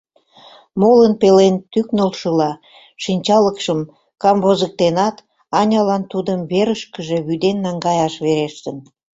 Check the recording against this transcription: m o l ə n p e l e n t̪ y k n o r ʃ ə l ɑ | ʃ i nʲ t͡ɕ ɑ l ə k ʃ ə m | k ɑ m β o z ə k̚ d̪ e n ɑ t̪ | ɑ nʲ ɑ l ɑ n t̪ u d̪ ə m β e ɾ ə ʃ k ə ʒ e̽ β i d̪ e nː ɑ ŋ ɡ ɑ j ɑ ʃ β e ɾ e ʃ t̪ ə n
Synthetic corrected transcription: m o l ə n p e l e n t̪ y k n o l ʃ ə l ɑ | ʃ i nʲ t͡ɕ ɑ l ə k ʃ ə m | k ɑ m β o z ə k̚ t̪ e n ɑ t̪ | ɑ nʲ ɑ l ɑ n t̪ u d̪ ə m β e ɾ ə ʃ k ə ʒ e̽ β y d̪ e nː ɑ ŋ ɡ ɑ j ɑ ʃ β e ɾ e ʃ t̪ ə n